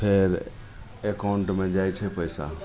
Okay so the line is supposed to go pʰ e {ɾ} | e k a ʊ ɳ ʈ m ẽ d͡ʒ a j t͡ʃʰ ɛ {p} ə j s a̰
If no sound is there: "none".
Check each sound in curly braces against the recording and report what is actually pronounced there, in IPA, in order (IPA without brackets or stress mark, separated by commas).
ɾ, p